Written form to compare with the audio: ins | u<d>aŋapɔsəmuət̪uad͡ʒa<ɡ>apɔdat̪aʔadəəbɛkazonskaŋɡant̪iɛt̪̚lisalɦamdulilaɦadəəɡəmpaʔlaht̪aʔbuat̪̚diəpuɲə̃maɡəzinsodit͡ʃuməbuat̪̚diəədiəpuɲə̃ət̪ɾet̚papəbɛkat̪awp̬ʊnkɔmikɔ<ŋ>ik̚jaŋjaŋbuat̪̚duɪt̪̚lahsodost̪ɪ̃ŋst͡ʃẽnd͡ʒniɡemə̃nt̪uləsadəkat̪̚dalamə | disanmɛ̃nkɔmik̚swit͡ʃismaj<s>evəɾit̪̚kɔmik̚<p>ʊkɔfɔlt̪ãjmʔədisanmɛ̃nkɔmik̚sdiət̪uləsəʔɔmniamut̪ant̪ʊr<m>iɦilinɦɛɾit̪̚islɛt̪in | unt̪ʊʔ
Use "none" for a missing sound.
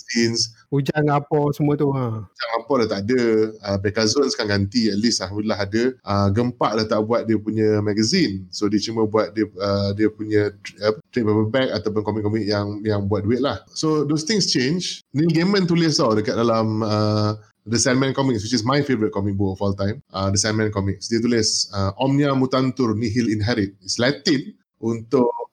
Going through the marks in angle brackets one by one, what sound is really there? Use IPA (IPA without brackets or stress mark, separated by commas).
d͡ʒ, ŋ, m, f, b, n